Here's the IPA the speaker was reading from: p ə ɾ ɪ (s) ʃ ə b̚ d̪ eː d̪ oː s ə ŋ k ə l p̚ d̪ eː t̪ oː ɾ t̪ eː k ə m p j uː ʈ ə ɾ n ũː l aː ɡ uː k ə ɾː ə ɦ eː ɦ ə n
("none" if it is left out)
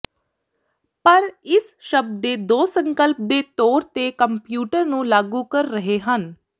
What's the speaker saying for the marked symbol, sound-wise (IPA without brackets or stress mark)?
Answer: s